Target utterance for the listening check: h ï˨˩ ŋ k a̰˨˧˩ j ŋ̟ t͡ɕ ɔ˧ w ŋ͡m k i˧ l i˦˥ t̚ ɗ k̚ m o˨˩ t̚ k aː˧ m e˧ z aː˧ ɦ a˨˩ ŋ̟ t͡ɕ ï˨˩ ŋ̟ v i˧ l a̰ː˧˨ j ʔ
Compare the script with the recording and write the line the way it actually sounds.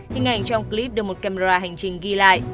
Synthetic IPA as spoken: h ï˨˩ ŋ ʔ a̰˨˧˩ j ŋ̟ t͡ɕ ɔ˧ w ŋ͡m k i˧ l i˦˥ p̚ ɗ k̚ m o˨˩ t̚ k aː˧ m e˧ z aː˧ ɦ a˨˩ ŋ̟ t͡ɕ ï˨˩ ŋ̟ ɣ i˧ l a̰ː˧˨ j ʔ

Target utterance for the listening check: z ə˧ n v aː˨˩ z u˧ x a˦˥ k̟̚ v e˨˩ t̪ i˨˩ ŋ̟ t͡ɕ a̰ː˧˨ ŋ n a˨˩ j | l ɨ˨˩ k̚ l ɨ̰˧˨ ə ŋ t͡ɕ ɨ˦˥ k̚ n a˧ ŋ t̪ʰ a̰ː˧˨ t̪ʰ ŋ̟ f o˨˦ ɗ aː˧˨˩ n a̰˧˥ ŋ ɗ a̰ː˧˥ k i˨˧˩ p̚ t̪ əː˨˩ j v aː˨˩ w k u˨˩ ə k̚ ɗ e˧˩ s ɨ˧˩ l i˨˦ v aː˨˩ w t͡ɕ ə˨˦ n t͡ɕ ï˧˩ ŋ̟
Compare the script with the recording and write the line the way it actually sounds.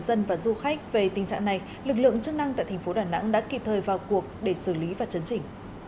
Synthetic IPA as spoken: z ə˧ n v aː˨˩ z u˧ x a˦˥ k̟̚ v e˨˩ t̪ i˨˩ ŋ̟ t͡ɕ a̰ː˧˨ ŋ n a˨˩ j | l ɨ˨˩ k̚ l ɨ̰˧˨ ə ŋ t͡ɕ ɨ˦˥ k̚ n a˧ ŋ t̪ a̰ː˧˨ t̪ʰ ŋ̟ f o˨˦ ɗ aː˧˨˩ n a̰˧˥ ŋ ɗ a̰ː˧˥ k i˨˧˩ p̚ t̪ʰ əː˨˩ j v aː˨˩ w k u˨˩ ə k̚ ɗ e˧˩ s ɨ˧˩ l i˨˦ v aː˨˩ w t͡ɕ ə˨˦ n t͡ɕ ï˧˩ ŋ̟

